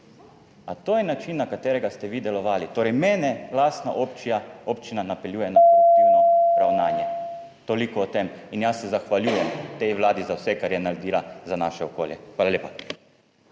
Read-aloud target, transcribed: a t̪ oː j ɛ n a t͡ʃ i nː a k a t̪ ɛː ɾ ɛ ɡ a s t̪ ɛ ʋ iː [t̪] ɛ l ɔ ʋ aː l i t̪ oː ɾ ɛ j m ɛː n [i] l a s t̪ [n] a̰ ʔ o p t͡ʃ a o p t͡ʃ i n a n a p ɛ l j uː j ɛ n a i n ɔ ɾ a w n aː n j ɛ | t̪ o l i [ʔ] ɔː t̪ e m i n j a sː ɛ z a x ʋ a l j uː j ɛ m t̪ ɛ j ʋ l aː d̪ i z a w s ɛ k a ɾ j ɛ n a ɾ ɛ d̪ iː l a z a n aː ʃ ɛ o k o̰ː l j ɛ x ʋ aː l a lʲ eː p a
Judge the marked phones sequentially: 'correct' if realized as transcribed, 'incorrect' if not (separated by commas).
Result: incorrect, incorrect, correct, incorrect